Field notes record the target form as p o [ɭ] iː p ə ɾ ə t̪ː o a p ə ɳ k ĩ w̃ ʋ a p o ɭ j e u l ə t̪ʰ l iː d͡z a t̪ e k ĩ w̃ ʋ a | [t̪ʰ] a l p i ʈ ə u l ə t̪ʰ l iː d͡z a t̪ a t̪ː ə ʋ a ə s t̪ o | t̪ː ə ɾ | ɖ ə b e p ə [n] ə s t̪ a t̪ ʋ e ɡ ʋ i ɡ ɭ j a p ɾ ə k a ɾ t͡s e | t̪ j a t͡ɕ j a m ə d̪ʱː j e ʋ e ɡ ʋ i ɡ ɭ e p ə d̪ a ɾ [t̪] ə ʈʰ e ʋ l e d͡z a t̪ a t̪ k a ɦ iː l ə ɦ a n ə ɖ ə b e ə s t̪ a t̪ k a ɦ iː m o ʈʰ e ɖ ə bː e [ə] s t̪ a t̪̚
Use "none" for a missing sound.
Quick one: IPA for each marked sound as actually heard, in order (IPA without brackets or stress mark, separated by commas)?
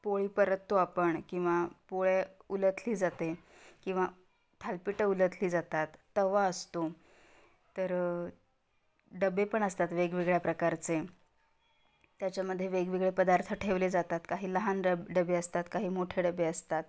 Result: ɭ, t̪ʰ, ɳ, t̪ʰ, ə